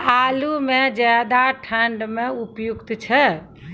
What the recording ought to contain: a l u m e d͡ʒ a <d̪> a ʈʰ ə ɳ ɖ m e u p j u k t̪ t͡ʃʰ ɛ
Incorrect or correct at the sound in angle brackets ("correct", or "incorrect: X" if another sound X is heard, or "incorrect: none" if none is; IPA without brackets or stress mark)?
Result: correct